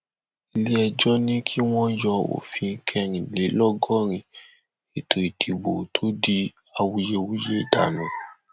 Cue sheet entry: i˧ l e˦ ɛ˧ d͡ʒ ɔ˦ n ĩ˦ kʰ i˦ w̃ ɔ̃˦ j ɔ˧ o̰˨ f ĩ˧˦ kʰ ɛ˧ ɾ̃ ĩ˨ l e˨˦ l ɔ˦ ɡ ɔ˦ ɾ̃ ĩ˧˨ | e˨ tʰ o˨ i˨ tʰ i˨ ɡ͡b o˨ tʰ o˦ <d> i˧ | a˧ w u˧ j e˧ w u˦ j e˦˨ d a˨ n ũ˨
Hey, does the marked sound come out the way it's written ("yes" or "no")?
yes